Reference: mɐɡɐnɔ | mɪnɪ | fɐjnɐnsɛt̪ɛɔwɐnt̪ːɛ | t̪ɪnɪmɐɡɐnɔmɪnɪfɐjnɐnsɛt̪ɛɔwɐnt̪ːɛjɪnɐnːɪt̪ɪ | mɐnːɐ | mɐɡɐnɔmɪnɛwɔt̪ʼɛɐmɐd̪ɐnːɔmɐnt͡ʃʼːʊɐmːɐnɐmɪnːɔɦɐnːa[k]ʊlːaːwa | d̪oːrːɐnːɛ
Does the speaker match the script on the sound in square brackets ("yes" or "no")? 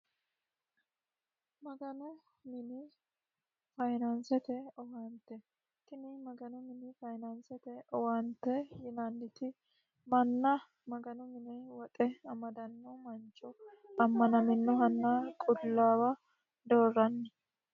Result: no